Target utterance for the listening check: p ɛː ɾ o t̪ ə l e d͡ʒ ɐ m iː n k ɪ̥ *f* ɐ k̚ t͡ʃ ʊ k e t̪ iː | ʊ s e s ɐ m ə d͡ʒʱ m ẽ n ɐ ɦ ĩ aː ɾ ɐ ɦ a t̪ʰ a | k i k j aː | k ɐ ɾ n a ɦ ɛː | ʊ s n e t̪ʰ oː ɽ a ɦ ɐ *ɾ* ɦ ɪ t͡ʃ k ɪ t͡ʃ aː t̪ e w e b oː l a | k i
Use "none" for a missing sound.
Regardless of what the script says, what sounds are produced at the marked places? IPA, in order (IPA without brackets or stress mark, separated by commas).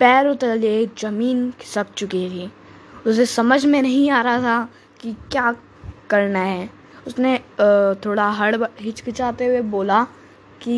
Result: s, ɽ